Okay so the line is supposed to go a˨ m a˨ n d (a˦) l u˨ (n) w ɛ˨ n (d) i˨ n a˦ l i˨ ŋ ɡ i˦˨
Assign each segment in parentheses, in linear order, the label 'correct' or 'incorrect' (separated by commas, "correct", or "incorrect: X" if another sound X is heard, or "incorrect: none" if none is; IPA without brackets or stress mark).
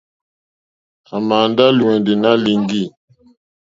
correct, incorrect: none, correct